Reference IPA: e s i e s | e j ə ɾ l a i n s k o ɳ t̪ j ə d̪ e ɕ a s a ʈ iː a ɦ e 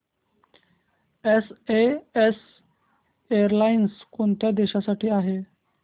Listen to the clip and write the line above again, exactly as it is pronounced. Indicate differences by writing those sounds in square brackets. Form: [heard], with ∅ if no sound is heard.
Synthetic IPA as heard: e s [e] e s | e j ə ɾ l a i n s k o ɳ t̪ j [a] d̪ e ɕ a s a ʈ iː a ɦ e